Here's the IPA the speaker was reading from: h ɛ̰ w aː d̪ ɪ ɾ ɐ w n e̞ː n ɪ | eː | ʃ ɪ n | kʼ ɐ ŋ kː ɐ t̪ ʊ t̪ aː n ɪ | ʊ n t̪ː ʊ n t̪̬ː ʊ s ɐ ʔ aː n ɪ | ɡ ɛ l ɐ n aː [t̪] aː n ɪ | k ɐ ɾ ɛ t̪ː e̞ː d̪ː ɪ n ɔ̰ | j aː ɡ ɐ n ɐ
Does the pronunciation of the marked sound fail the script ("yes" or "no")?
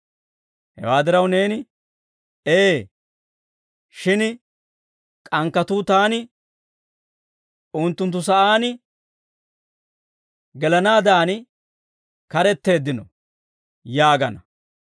yes